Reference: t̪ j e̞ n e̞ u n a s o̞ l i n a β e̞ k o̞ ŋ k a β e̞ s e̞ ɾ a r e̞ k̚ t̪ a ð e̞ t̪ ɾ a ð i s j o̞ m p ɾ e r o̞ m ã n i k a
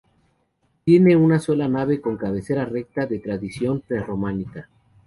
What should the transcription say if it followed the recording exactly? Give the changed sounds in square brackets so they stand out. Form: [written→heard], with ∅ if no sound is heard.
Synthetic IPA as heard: t̪ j e̞ n e̞ u n a s o̞ l [i→a] n a β e̞ k o̞ ŋ k a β e̞ s e̞ ɾ a r e̞ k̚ t̪ a ð e̞ t̪ ɾ a ð i s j o̞ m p ɾ e r o̞ m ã n i k a